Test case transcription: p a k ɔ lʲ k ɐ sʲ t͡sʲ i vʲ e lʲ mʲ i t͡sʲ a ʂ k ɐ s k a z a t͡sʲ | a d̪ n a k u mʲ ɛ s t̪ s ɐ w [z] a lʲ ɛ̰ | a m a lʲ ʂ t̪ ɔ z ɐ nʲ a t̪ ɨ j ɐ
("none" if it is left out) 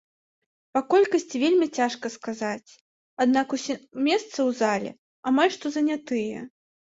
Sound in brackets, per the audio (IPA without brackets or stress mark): z